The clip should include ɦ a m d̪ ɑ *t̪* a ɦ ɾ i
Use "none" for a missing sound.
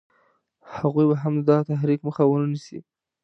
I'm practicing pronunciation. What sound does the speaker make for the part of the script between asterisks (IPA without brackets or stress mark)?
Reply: t̪